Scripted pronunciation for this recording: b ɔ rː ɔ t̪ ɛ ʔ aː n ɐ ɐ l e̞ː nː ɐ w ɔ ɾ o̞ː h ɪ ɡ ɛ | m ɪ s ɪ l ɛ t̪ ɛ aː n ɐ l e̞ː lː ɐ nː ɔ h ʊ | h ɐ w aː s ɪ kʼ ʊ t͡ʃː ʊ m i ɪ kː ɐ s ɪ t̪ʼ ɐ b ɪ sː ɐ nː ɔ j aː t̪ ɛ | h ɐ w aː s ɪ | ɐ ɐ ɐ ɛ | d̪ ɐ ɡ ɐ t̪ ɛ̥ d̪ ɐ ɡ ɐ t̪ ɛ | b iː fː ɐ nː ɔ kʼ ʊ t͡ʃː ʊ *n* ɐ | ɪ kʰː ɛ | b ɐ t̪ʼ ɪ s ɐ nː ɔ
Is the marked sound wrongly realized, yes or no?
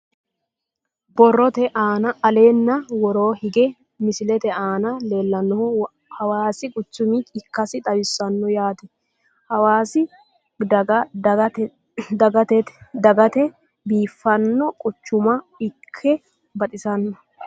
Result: yes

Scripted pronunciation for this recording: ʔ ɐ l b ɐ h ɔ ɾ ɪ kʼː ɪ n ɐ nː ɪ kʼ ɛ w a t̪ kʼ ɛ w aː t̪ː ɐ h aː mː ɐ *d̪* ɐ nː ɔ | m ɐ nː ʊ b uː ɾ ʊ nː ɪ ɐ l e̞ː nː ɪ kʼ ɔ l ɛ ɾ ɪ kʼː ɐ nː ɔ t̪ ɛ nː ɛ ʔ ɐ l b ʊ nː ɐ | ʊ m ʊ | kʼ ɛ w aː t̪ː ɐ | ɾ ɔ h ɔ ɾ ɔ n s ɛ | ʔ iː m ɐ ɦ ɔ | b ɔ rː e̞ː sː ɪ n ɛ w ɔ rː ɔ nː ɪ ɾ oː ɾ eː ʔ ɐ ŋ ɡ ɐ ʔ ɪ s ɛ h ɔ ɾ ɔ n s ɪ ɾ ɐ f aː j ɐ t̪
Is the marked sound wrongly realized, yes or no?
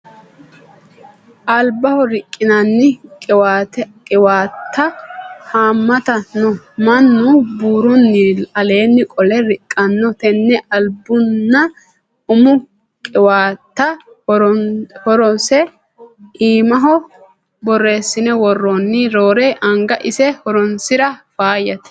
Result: yes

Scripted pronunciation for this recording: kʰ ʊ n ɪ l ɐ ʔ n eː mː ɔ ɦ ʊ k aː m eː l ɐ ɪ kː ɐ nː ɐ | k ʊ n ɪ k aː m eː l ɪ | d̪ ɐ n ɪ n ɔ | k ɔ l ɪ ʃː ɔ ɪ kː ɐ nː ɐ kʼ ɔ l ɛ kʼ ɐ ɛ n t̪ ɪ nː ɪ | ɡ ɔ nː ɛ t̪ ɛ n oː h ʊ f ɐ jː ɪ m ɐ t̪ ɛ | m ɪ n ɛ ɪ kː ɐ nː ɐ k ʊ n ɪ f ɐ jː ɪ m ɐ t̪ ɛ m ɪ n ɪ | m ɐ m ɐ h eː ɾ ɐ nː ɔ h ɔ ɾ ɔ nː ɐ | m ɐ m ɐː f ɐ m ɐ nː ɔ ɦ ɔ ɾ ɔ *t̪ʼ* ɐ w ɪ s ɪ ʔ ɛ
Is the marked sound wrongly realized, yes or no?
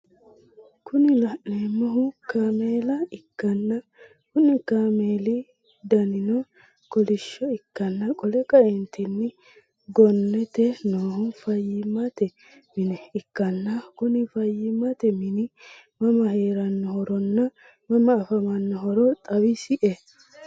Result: no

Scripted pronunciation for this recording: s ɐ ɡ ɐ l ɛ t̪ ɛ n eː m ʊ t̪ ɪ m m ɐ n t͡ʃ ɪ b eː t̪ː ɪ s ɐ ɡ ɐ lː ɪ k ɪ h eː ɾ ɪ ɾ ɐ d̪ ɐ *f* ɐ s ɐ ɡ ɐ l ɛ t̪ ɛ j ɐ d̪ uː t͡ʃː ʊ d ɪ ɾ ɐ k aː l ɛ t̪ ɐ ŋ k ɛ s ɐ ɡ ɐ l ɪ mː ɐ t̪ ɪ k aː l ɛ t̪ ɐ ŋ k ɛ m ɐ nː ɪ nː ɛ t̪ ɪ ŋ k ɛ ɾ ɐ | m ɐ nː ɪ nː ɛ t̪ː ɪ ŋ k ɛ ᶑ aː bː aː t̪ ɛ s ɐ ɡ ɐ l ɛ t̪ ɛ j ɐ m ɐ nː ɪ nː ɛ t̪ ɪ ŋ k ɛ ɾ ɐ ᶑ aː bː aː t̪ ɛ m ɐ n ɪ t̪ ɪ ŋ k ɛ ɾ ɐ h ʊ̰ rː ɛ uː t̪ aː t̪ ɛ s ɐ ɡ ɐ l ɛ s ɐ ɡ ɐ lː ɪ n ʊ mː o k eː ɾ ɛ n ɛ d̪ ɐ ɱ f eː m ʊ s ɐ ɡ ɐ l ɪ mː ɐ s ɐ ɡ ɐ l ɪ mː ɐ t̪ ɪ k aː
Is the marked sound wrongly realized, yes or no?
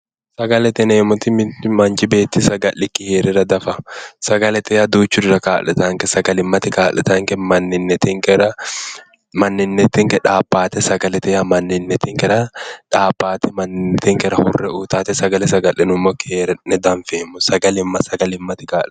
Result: no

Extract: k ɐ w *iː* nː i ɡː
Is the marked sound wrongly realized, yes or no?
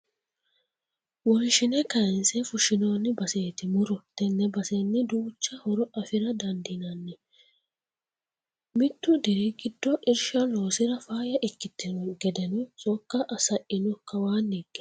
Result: yes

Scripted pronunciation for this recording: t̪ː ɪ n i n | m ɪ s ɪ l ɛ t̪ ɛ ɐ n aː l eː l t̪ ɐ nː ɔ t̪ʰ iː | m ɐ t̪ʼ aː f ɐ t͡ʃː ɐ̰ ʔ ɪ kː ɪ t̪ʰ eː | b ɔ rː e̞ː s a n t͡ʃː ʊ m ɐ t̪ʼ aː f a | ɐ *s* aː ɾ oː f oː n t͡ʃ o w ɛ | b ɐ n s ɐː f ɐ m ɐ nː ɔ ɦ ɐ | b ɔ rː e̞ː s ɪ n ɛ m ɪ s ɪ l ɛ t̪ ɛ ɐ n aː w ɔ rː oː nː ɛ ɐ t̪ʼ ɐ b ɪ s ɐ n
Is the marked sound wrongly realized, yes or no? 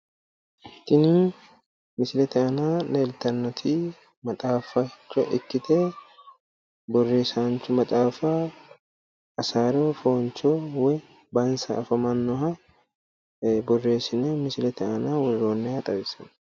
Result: no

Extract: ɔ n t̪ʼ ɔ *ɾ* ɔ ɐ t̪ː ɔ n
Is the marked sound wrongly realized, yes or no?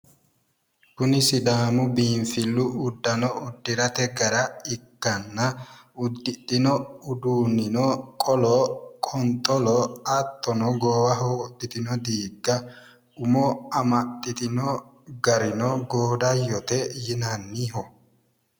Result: yes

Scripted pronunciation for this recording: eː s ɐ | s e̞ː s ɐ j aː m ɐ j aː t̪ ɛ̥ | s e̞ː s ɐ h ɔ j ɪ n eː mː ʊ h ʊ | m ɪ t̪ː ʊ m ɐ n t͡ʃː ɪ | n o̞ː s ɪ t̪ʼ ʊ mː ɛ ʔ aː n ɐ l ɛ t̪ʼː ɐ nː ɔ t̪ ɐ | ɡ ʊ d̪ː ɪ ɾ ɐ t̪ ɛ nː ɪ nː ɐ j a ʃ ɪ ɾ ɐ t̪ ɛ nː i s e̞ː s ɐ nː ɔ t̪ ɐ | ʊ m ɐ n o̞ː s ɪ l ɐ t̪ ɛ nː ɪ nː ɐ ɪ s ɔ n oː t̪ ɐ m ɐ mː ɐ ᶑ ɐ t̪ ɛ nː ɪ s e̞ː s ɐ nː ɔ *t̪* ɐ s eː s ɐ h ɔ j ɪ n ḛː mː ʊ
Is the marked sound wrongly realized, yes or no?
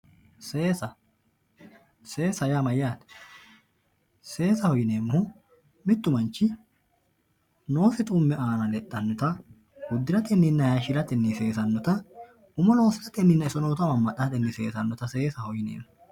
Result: no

